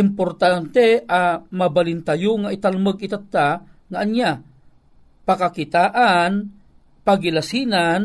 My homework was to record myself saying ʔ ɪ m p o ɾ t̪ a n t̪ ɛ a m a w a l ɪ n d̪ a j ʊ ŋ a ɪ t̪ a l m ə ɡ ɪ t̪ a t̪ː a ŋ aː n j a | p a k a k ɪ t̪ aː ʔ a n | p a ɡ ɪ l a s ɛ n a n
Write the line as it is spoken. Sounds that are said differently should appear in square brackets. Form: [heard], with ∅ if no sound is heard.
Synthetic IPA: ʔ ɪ m p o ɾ t̪ a n t̪ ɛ a m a [b] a l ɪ n [t̪] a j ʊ ŋ a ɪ t̪ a l m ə ɡ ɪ t̪ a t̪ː a ŋ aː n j a | p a k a k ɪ t̪ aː ʔ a n | p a ɡ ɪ l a s [i] n a n